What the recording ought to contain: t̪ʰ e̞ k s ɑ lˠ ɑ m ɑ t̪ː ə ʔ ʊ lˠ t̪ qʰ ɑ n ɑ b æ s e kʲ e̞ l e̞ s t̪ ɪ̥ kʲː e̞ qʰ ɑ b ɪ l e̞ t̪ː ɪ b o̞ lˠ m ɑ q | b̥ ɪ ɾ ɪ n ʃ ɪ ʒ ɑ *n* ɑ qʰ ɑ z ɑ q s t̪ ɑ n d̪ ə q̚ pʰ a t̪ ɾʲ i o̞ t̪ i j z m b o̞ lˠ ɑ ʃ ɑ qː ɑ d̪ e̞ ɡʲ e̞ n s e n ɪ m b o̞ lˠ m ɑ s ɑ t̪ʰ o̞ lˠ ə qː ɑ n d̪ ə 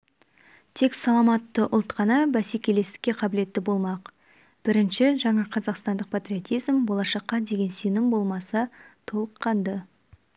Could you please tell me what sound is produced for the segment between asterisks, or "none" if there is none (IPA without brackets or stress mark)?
ɴ